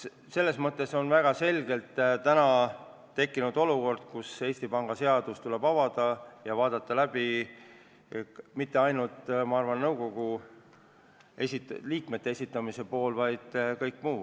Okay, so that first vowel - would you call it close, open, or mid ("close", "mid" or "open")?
mid